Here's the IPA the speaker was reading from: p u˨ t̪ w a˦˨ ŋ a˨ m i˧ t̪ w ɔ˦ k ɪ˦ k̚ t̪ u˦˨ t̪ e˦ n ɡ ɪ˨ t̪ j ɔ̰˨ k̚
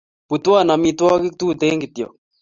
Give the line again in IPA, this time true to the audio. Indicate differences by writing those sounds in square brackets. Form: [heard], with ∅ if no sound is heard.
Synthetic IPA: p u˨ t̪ w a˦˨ [n] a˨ m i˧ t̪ w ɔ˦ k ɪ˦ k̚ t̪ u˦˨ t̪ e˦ [ŋ] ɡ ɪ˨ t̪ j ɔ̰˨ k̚